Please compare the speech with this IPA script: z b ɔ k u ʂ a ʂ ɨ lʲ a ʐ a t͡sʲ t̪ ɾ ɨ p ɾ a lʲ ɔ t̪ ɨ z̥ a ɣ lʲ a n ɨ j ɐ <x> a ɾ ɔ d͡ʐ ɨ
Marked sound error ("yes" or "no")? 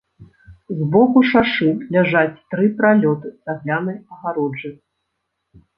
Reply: yes